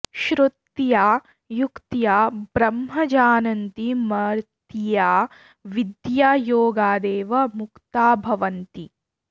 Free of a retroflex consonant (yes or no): yes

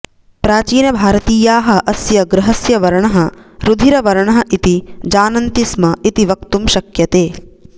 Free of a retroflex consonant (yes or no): no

